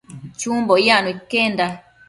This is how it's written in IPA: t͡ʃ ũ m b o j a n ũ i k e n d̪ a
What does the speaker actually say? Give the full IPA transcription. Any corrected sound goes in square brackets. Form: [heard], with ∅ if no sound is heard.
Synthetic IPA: t͡ʃ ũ m b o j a n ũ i k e n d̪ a